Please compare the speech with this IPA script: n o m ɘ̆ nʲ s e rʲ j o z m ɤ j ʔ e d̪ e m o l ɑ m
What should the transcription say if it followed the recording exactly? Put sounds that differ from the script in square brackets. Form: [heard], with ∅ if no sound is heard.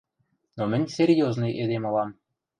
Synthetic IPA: n o m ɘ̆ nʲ s e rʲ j o z [n] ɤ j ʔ e d̪ e m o l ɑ m